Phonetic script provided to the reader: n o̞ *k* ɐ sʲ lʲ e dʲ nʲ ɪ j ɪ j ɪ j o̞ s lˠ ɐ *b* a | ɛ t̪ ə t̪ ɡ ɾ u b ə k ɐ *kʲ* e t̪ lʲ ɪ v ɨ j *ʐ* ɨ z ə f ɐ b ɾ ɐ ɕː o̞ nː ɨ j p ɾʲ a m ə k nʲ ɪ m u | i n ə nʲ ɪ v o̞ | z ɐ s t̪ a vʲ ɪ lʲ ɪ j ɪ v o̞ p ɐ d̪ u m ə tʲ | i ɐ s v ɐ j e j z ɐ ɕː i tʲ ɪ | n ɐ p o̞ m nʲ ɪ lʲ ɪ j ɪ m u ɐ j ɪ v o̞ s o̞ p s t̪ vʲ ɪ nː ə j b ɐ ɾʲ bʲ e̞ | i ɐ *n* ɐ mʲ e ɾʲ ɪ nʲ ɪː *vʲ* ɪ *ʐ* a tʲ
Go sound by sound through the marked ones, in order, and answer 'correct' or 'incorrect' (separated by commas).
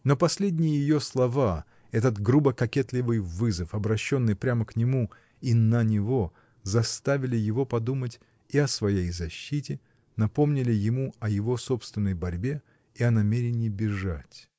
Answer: incorrect, incorrect, correct, incorrect, correct, incorrect, correct